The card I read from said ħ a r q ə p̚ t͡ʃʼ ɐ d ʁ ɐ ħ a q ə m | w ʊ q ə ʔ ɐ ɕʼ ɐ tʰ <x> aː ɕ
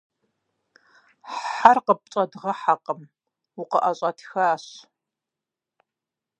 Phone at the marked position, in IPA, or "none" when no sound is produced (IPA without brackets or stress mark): x